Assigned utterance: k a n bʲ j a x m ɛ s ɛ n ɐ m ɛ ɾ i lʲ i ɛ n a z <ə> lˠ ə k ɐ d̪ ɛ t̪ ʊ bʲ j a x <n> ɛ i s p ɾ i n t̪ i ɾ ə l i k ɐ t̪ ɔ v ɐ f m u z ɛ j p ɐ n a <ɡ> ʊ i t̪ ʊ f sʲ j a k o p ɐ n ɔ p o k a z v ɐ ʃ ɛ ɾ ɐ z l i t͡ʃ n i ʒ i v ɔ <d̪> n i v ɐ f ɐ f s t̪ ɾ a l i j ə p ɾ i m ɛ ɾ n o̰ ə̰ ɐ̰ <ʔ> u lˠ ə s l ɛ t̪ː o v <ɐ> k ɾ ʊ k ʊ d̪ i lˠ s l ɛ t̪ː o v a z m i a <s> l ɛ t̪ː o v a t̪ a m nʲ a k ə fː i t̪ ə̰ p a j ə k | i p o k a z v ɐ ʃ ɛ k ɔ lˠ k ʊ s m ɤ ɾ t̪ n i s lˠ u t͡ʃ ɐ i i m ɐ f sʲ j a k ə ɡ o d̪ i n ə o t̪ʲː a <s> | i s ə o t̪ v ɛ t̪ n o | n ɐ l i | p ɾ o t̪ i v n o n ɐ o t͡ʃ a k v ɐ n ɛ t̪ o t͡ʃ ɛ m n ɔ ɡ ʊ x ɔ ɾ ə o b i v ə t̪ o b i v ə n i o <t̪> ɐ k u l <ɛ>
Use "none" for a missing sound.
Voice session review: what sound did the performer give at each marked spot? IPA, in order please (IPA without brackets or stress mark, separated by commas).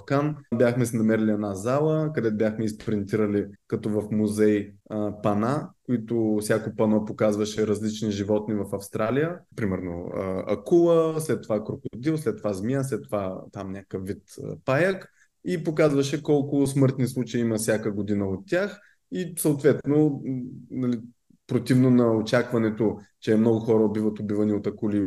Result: a, m, k, t̪, k, a, s, x, t̪, i